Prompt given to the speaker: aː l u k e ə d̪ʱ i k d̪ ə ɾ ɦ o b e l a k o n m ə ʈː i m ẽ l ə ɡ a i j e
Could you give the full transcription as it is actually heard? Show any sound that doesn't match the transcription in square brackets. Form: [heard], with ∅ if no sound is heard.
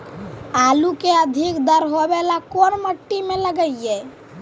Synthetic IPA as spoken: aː l u k e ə d̪ʱ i k d̪ ə ɾ ɦ o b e l a k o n m ə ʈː i m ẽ l ə ɡ [ə] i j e

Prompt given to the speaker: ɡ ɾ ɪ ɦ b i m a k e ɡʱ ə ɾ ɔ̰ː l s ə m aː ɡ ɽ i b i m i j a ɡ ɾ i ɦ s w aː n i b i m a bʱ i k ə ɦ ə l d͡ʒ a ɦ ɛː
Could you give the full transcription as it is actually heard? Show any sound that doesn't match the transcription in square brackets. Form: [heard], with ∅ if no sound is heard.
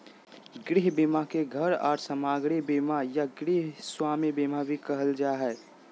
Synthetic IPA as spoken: ɡ ɾ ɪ ɦ b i m a k e ɡʱ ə ɾ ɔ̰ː [ɾ] s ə m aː ɡ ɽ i b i m [a] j a ɡ ɾ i ɦ s w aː [m] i b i m a bʱ i k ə ɦ ə l d͡ʒ a ɦ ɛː

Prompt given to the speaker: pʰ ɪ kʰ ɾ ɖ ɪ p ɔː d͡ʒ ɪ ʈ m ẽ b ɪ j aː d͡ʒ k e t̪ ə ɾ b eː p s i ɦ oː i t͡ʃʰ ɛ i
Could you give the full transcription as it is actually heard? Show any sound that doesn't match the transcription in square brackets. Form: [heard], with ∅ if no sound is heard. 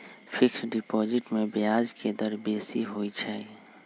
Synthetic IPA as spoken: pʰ ɪ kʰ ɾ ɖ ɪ p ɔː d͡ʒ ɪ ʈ m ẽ b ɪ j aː d͡ʒ k e [d̪] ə ɾ b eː [∅] s i ɦ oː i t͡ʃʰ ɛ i

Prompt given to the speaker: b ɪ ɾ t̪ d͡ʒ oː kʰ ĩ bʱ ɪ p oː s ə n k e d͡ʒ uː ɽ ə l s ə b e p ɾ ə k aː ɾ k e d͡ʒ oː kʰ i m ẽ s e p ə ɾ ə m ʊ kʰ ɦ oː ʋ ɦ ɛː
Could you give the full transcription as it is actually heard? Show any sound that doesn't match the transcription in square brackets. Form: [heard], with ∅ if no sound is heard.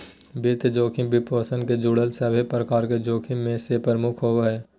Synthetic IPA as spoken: b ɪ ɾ t̪ d͡ʒ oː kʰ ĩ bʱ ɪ p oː s ə n k e d͡ʒ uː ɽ ə l s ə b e p ɾ ə k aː ɾ k e d͡ʒ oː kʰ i m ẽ s e p ə ɾ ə m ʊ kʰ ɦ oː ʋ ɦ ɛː

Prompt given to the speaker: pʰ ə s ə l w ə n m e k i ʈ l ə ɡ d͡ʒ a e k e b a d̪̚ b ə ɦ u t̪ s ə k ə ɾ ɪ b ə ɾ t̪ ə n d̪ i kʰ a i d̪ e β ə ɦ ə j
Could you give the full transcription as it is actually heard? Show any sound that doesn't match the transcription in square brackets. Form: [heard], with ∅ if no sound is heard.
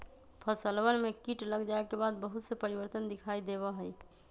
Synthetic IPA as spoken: pʰ ə s ə l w ə n m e k i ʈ l ə ɡ d͡ʒ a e k e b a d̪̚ b ə ɦ u t̪ s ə [p] ə ɾ [i] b ə ɾ t̪ ə n d̪ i kʰ a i d̪ e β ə ɦ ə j

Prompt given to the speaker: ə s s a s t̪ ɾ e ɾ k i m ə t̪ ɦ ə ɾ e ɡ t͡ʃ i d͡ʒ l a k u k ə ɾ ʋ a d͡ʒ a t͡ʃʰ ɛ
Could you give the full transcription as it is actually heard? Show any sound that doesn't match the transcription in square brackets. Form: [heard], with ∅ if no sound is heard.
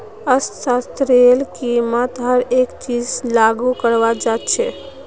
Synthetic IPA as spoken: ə s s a s t̪ ɾ e [l] k i m ə t̪ ɦ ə ɾ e [k] t͡ʃ i d͡ʒ l a [ɡ] u k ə ɾ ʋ a d͡ʒ a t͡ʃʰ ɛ

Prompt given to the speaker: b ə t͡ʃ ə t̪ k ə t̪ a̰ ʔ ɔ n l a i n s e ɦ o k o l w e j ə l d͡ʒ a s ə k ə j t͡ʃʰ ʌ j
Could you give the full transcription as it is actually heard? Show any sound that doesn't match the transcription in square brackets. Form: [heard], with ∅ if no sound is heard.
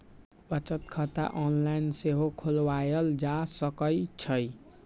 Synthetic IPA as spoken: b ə t͡ʃ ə t̪ [kʰ] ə t̪ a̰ ʔ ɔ n l a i n s e ɦ o [kʰ] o l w [a] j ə l d͡ʒ a s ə k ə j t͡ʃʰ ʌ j

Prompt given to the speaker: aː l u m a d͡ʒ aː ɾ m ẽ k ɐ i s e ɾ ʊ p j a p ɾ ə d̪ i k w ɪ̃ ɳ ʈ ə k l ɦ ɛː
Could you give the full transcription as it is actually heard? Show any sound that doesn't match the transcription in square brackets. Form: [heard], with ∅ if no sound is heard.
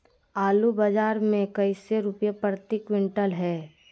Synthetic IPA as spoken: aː l u [b] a d͡ʒ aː ɾ m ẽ k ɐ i s e ɾ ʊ p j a p ɾ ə [t̪] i k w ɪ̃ ɳ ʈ ə [∅] l ɦ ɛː

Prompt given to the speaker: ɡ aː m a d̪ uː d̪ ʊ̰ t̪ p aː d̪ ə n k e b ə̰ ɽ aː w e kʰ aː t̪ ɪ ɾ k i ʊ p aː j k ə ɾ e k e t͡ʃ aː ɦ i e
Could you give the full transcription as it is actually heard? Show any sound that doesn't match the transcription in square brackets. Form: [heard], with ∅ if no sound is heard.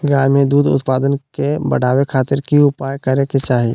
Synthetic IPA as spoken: ɡ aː m [e] d̪ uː d̪ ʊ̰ t̪ p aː d̪ ə n k e b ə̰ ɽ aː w e kʰ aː t̪ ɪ ɾ k i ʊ p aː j k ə ɾ e k e t͡ʃ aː ɦ i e

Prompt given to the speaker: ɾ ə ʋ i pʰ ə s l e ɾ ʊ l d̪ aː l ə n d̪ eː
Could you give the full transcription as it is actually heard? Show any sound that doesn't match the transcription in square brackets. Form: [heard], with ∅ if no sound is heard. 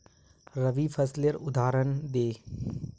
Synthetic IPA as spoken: ɾ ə ʋ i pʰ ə s l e ɾ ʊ [∅] d̪ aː [ɾ] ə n d̪ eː

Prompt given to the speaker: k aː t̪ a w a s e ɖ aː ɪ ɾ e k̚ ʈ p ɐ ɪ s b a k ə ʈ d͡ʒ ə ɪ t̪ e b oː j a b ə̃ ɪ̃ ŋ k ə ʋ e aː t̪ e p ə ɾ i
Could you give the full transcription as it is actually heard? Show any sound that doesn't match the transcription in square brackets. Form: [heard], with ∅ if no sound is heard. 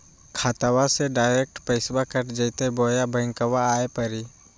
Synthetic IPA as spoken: [kʰ] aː t̪ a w a s e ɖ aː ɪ ɾ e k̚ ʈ p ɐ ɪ s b a k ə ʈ d͡ʒ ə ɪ t̪ e b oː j a b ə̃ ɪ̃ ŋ k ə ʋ [a] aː [∅] e p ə ɾ i

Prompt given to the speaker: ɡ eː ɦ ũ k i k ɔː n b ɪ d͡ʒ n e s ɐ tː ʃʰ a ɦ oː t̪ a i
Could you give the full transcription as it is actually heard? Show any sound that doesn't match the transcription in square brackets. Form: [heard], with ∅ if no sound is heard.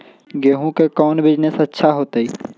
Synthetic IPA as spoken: ɡ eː ɦ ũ k [e] k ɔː n b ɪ d͡ʒ n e s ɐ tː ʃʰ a ɦ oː t̪ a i

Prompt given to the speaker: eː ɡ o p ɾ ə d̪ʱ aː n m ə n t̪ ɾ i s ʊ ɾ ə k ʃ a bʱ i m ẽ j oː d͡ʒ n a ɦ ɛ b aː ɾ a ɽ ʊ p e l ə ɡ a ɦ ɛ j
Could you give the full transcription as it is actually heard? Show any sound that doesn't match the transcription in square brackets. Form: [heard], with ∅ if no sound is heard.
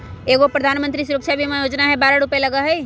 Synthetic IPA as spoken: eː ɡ o p ɾ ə d̪ʱ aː n m ə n t̪ ɾ i s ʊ ɾ ə k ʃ a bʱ i m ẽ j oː d͡ʒ n a ɦ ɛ b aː ɾ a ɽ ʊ p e l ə ɡ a ɦ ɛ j

